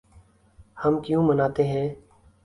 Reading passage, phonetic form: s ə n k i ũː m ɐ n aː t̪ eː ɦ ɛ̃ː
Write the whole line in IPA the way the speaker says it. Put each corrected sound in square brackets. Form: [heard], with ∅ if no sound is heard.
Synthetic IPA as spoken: [h] ə [m] k [j] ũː m [ə] n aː t̪ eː ɦ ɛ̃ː